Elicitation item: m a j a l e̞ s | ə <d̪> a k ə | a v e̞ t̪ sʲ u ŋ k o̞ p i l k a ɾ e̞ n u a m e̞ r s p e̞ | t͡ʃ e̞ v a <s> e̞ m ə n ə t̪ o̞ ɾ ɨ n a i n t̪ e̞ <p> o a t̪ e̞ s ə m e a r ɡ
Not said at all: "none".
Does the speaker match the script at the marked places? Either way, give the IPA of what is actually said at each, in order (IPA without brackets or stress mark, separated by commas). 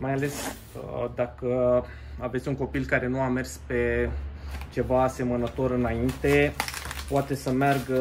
d̪, s, p